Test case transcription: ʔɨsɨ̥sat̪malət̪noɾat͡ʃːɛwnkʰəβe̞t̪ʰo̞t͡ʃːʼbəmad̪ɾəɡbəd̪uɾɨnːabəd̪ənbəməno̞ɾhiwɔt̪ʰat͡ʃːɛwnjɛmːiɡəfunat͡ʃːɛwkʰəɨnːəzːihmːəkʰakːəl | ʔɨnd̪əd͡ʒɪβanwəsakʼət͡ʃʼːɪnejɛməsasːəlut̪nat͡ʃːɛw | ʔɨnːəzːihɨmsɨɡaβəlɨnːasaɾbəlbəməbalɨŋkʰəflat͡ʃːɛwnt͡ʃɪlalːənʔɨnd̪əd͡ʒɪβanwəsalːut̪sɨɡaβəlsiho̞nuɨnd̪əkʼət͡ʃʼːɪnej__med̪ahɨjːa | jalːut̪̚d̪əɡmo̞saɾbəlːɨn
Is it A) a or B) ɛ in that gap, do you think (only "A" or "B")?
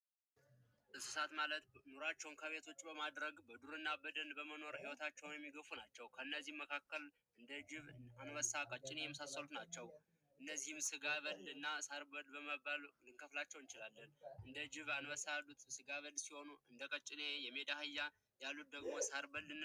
B